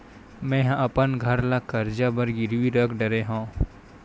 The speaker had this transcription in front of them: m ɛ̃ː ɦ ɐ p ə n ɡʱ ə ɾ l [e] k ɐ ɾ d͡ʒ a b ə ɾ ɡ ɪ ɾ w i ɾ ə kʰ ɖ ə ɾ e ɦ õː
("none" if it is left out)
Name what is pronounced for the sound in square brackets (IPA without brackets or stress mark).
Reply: a